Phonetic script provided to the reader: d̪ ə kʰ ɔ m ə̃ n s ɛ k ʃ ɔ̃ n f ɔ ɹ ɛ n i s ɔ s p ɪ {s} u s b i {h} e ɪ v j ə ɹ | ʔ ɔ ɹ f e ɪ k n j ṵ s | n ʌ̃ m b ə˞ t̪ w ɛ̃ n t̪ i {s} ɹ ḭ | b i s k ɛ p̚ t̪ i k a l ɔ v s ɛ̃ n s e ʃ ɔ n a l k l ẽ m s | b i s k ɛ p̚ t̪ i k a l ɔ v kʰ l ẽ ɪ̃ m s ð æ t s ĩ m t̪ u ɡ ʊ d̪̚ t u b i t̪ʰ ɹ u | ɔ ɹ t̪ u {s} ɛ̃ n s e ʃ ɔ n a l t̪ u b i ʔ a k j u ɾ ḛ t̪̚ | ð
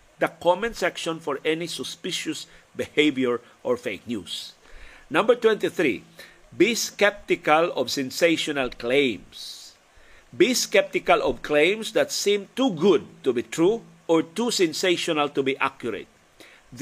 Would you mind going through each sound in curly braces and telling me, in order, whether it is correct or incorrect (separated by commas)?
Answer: incorrect, correct, incorrect, correct